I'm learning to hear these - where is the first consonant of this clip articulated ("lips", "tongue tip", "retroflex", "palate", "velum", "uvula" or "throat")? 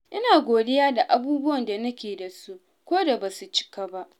throat